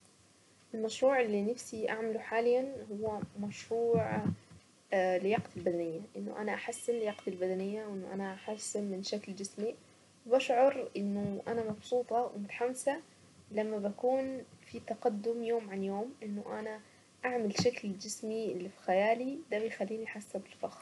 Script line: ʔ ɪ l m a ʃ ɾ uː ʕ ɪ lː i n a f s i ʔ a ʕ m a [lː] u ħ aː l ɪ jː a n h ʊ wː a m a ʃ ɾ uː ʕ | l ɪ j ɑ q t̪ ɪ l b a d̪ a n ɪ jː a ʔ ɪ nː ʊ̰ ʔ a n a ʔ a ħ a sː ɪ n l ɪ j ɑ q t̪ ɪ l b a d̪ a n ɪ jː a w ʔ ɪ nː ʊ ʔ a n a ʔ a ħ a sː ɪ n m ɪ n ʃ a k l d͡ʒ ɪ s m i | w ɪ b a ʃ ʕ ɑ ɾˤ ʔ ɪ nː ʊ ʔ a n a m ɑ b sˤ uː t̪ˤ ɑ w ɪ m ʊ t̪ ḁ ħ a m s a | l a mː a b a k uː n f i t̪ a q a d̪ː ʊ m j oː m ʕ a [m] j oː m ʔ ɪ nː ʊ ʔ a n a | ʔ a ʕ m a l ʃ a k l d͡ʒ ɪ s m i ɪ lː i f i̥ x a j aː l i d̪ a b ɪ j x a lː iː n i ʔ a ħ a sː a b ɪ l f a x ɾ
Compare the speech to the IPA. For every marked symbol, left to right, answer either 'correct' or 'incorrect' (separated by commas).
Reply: incorrect, incorrect